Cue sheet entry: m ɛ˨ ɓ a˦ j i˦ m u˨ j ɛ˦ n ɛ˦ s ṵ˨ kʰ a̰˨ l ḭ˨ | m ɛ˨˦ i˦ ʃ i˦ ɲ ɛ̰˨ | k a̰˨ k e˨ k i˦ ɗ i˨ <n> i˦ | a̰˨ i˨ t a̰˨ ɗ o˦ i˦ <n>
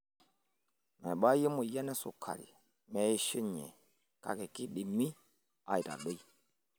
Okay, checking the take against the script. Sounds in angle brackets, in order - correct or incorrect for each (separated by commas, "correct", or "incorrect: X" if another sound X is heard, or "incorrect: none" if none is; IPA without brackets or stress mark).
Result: incorrect: m, incorrect: none